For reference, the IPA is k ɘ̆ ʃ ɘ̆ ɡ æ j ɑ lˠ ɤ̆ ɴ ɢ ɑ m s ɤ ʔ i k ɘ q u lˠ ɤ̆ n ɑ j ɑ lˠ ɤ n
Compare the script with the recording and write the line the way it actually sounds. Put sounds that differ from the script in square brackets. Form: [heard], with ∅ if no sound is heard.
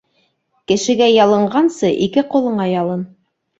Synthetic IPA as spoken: k ɘ̆ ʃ ɘ̆ ɡ æ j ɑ lˠ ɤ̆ ɴ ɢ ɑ [n] s ɤ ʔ i k ɘ q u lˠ ɤ̆ [ɴ] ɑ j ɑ lˠ ɤ n